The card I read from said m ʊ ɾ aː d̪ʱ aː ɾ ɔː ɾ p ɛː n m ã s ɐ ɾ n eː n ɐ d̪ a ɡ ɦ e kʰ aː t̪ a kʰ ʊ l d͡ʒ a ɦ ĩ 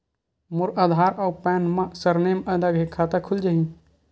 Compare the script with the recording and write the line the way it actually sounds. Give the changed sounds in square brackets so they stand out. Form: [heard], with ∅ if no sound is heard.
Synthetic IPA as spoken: m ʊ ɾ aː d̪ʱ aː ɾ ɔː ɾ p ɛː n m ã s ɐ ɾ n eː [m] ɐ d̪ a ɡ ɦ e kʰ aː t̪ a kʰ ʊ l d͡ʒ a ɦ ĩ